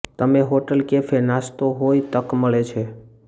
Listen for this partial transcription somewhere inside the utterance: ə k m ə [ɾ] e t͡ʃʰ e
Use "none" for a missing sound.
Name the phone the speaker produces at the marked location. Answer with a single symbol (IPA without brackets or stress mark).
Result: ɭ